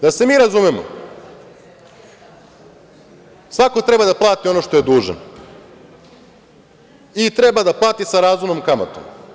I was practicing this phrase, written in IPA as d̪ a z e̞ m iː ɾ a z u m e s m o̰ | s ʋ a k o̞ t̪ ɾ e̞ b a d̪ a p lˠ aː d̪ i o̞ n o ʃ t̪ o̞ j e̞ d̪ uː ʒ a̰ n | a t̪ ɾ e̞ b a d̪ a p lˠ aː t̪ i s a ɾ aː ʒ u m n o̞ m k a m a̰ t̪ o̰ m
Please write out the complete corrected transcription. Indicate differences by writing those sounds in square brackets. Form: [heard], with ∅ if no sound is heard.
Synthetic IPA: d̪ a [s] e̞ m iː ɾ a z u m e [∅] m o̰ | s ʋ a k o̞ t̪ ɾ e̞ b a d̪ a p lˠ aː [t̪] i o̞ n o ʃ t̪ o̞ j e̞ d̪ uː ʒ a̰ n | [i] t̪ ɾ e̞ b a d̪ a p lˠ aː t̪ i s a ɾ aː [z] u m n o̞ m k a m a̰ t̪ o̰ m

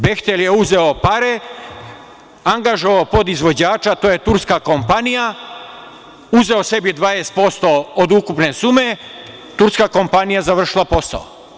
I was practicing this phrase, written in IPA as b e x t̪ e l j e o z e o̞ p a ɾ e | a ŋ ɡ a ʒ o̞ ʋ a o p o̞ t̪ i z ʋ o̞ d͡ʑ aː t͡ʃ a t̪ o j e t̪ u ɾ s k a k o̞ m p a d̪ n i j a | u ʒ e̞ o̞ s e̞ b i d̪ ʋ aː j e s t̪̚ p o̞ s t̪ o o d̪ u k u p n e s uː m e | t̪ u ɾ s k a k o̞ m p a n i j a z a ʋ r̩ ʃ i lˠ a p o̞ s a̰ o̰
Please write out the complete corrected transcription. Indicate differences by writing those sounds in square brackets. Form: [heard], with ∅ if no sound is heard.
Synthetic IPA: b e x t̪ e l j e [u] z e o̞ p a ɾ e | a ŋ ɡ a ʒ o̞ ʋ a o p o̞ [d̪] i z ʋ o̞ d͡ʑ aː t͡ʃ a t̪ o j e t̪ u ɾ s k a k o̞ m p a [∅] n i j a | u [z] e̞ o̞ s e̞ b i d̪ ʋ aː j e s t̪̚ p o̞ s t̪ o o d̪ u k u p n e s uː m e | t̪ u ɾ s k a k o̞ m p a n i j a z a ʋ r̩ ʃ i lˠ a p o̞ s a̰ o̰

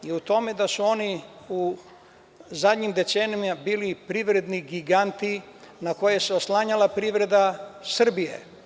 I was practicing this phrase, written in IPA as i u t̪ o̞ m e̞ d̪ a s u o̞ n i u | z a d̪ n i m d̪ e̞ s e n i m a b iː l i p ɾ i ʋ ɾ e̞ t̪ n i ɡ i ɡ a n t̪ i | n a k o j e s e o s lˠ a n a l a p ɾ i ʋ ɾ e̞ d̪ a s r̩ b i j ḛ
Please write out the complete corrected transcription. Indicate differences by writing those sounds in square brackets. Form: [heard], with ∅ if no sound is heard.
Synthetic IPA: i u t̪ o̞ m e̞ d̪ a s u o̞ n i u | z a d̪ [ɲ] i m d̪ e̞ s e n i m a b iː l i p ɾ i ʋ ɾ e̞ [d̪] n i ɡ i ɡ a n t̪ i | n a k o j e s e o s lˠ a [ɲ] a l a p ɾ i ʋ ɾ e̞ d̪ a s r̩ b i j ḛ

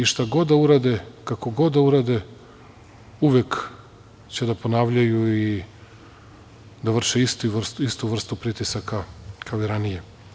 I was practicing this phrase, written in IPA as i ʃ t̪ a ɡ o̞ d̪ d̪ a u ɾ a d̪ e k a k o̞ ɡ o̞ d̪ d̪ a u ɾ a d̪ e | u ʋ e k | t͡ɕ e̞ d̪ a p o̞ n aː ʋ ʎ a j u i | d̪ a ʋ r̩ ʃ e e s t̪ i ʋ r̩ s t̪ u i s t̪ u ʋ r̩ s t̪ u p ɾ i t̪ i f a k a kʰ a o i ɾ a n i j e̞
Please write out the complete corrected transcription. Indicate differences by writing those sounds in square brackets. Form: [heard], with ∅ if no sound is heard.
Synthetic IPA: i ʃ t̪ a ɡ o̞ d̪ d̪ a u ɾ a d̪ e k a k o̞ ɡ o̞ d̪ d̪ a u ɾ a d̪ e | u ʋ e k | t͡ɕ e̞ d̪ a p o̞ n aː ʋ ʎ a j u i | d̪ a ʋ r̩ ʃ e [i] s t̪ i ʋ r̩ s t̪ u i s t̪ u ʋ r̩ s t̪ u p ɾ i t̪ i [s] a k a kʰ a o i ɾ a n i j e̞

